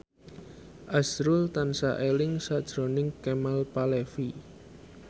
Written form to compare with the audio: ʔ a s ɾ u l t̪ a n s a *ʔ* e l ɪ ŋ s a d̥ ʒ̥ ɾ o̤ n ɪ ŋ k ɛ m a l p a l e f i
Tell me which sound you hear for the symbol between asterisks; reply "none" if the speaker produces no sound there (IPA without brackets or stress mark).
ʔ